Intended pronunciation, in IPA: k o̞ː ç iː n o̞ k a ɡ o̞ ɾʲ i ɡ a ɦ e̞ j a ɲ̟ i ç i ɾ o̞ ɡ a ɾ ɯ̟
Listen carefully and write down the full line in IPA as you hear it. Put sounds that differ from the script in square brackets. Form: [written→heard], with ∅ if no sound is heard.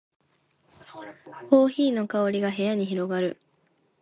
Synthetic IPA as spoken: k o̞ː ç iː n o̞ k a [ɡ→∅] o̞ ɾʲ i ɡ a ɦ e̞ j a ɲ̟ i ç i ɾ o̞ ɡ a ɾ ɯ̟